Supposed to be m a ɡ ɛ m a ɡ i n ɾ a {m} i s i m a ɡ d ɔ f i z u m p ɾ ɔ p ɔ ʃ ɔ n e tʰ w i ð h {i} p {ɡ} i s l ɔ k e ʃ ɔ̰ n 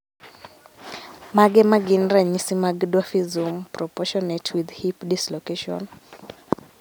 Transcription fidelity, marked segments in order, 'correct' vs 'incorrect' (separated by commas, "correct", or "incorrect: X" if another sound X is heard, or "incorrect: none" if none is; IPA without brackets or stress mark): incorrect: ɲ, correct, incorrect: d